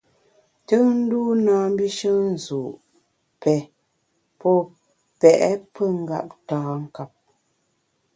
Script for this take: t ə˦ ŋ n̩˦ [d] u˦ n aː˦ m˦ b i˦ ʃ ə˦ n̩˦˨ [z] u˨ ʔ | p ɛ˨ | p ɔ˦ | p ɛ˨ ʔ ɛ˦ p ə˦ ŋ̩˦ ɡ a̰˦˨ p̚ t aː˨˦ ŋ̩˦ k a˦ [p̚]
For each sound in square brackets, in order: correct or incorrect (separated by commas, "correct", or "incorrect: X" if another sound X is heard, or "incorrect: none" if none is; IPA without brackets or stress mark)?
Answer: correct, correct, correct